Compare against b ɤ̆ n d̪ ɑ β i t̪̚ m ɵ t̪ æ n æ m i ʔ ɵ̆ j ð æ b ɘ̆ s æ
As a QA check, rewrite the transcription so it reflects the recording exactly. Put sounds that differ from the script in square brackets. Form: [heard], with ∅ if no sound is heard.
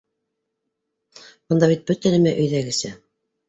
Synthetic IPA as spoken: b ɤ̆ n d̪ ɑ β i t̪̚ [b] ɵ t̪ æ n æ m [æ] ʔ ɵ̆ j ð æ [ɡ] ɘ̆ s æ